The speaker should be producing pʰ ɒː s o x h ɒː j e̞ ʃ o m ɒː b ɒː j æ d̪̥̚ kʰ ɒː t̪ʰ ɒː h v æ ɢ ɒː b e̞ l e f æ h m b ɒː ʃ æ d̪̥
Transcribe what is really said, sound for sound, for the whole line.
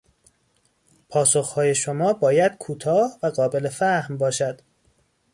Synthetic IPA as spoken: pʰ ɒː s o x h ɒː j e̞ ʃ o m ɒː b ɒː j æ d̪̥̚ kʰ uː t̪ʰ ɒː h v æ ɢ ɒː b e̞ l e f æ h m b ɒː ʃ æ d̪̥